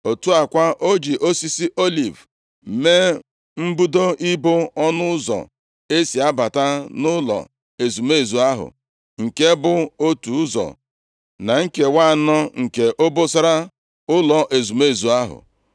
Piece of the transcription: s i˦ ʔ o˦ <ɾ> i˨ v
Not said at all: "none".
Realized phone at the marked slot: l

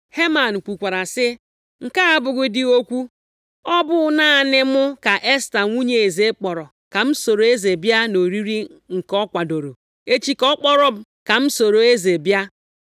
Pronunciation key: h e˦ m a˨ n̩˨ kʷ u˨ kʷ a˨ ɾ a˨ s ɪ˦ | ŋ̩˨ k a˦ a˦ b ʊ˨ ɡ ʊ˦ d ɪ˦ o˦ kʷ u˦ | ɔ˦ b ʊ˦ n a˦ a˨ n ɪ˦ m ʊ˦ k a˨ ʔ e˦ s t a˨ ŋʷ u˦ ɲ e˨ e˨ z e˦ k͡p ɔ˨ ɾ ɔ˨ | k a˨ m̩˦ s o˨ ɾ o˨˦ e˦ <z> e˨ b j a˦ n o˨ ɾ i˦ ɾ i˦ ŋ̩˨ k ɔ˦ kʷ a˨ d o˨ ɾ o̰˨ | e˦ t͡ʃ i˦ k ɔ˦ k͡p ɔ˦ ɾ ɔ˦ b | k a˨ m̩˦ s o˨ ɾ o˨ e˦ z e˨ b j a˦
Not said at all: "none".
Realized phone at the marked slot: z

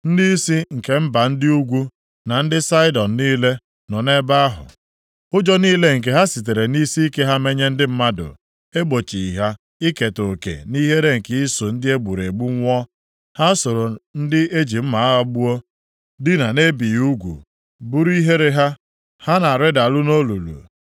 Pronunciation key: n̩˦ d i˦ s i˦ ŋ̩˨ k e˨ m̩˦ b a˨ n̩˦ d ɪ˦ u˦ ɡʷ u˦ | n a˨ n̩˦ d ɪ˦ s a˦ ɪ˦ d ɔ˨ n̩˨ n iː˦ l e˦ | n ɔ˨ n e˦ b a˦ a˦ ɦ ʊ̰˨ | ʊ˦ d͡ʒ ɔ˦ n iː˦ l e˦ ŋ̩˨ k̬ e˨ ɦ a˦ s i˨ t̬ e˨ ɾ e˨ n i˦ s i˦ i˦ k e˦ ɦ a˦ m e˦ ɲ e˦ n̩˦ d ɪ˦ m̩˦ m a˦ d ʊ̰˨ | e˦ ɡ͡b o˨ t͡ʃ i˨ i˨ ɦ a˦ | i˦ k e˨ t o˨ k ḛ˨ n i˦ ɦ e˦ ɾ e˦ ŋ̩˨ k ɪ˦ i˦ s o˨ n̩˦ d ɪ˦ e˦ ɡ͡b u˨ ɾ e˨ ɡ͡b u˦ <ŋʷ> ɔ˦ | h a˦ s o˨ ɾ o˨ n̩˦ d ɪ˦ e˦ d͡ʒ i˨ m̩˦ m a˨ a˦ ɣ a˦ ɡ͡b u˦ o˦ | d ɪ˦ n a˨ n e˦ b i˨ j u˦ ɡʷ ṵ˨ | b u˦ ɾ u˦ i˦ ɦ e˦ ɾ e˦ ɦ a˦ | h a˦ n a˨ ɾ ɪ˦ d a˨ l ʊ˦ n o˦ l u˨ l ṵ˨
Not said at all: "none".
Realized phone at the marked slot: ŋʷ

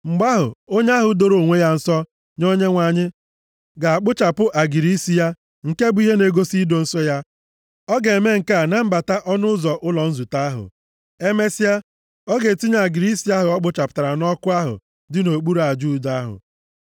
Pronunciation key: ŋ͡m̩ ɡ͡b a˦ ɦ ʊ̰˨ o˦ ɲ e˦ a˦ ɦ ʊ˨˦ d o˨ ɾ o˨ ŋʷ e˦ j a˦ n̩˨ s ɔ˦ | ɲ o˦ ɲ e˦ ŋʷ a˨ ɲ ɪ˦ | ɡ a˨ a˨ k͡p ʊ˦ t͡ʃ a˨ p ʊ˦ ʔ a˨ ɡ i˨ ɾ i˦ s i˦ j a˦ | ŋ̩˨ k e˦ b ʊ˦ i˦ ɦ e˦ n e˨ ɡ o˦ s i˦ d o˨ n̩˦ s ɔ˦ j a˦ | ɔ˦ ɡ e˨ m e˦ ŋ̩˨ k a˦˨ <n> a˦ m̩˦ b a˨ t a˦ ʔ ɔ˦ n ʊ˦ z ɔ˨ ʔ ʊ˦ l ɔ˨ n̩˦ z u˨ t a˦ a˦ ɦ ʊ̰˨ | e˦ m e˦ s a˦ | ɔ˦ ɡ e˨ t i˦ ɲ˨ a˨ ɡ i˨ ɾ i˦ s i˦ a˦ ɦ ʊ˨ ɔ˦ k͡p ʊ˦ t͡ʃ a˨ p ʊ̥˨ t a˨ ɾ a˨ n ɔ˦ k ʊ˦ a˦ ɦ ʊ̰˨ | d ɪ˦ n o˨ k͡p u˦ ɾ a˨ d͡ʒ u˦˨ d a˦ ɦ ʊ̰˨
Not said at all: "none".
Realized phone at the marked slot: n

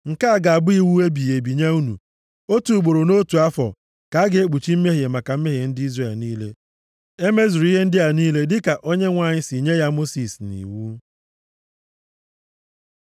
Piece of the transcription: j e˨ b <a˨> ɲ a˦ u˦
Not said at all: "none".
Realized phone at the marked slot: i˨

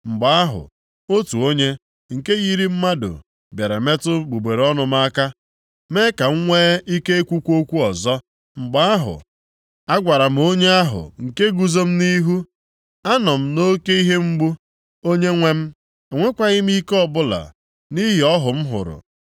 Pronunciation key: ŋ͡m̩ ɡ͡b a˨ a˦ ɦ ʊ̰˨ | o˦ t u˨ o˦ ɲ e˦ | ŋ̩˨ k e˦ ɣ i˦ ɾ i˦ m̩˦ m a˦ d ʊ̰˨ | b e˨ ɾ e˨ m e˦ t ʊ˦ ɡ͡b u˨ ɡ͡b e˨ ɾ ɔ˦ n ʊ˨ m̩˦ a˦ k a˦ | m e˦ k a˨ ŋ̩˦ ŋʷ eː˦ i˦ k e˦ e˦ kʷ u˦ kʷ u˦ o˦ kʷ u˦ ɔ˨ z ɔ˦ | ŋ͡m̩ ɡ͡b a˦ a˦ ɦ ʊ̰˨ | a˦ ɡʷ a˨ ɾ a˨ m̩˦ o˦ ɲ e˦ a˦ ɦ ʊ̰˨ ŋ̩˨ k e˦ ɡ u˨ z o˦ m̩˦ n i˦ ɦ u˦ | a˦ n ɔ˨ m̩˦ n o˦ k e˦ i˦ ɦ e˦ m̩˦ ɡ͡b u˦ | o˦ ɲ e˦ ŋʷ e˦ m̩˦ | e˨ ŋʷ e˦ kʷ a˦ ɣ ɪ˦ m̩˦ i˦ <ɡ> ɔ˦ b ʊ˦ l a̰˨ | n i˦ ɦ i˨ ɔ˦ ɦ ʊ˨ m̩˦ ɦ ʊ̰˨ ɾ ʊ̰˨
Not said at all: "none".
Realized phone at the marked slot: k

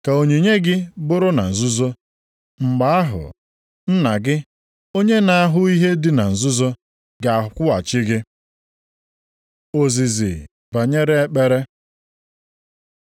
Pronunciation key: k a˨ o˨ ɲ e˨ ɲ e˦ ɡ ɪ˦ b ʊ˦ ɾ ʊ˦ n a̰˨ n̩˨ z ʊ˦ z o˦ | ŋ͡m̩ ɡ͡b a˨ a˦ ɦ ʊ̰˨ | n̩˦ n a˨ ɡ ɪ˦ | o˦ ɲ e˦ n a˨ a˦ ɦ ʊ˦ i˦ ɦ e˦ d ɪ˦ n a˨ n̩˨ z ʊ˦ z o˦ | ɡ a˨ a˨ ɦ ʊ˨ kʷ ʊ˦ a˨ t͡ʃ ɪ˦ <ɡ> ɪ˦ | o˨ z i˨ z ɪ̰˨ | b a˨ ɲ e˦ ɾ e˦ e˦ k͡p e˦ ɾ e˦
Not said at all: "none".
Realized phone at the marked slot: ɡ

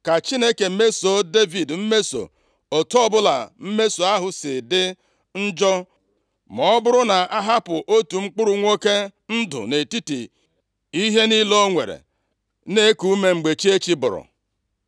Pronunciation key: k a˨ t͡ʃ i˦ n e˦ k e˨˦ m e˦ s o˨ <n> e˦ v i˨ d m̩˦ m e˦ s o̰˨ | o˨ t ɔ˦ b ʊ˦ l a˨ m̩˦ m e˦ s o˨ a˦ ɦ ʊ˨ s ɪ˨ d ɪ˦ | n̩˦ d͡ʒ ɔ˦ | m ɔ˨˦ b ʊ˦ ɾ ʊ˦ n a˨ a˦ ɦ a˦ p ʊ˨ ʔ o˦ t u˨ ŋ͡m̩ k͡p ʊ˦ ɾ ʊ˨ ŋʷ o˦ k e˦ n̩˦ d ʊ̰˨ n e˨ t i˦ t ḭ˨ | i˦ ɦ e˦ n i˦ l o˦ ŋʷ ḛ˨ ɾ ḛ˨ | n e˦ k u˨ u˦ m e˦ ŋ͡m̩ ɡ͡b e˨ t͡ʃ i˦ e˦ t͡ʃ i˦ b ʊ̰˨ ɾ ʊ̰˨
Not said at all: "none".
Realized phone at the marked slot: d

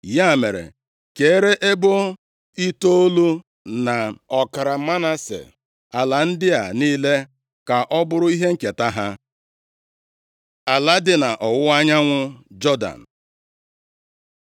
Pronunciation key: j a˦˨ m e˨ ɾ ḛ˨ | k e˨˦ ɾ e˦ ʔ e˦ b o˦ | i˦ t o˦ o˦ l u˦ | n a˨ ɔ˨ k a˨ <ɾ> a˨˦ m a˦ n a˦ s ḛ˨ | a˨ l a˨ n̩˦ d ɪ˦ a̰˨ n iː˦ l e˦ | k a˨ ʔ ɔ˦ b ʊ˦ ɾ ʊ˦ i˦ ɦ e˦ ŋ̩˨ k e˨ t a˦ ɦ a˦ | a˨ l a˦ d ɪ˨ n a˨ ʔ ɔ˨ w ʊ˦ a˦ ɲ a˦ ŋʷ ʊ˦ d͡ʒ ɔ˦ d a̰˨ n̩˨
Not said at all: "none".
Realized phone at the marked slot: ɾ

